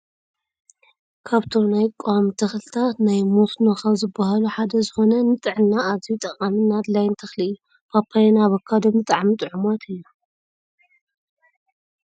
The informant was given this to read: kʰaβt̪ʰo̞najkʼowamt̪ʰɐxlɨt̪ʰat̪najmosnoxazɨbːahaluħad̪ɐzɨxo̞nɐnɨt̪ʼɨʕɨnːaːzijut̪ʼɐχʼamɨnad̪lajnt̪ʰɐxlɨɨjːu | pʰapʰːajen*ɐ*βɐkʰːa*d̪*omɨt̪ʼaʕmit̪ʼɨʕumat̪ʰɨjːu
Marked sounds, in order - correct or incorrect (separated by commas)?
incorrect, correct